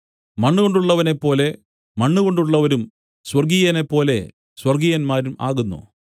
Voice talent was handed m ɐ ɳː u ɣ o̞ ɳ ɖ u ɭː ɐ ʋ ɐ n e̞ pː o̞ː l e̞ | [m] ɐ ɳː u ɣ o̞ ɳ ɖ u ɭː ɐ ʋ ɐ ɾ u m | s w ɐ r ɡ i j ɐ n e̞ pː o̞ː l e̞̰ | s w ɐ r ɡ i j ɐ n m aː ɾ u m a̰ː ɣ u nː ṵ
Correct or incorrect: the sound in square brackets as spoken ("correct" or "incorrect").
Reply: correct